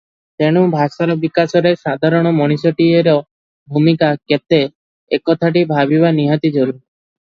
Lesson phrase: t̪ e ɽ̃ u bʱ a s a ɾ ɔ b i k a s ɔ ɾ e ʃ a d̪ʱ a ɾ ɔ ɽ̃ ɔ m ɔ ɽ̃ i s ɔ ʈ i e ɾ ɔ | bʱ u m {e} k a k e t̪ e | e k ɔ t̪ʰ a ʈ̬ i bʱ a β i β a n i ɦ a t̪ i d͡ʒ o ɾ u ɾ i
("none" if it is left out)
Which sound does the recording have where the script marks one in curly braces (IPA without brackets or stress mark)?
i